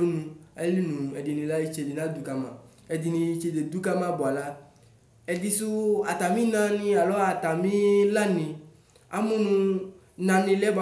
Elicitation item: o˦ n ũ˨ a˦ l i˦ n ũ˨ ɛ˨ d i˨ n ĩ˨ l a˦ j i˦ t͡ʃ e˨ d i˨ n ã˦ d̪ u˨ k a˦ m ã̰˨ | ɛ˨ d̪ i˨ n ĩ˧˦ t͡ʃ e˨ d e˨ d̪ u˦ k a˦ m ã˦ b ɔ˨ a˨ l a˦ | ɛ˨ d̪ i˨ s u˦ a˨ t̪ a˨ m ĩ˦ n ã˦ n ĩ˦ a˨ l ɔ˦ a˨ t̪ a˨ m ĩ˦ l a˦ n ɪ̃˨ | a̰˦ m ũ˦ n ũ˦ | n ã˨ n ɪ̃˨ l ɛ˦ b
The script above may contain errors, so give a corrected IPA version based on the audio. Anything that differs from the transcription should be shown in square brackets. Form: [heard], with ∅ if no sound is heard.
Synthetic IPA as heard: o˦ n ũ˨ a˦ l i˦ n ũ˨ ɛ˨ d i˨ n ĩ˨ l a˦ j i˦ t͡ʃ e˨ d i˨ n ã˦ d̪ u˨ k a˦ m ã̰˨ | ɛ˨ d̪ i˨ n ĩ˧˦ t͡ʃ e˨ d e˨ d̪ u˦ k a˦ m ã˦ b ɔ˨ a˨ l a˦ | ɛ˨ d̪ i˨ s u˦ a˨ t̪ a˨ m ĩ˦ n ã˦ n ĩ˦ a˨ l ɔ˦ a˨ t̪ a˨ m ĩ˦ l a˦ n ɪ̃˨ | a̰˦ m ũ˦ n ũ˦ | n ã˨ n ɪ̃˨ l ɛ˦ b